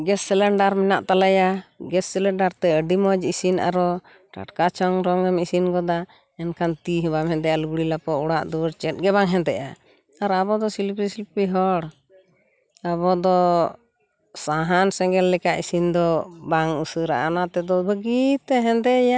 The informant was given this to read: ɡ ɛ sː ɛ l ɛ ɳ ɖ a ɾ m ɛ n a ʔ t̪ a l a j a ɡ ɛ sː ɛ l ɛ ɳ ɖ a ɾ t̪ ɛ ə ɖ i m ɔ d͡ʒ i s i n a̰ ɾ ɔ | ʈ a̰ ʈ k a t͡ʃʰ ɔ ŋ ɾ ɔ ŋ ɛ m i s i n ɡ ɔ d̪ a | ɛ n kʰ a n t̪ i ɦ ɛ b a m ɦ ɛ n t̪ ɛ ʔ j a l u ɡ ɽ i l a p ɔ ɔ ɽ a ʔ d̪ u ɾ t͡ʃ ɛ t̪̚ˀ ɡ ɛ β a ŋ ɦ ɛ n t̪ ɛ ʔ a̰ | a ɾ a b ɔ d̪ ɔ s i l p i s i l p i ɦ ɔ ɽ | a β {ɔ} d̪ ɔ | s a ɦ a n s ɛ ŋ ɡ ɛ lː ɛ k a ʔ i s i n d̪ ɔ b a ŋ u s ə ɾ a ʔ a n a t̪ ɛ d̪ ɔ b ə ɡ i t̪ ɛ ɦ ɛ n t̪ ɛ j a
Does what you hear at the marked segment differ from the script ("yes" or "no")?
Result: no